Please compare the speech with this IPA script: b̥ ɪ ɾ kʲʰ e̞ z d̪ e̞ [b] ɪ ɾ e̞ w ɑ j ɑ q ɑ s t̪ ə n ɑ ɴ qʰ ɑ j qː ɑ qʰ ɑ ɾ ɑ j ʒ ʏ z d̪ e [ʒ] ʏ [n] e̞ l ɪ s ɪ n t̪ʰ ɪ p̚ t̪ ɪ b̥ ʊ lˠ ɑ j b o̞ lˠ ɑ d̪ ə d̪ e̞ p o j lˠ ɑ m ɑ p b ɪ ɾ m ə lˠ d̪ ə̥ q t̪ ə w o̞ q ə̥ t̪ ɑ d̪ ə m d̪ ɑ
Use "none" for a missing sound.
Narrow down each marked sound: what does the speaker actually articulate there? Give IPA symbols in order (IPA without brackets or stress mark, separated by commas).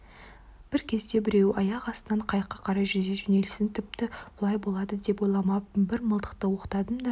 b, ʒ, n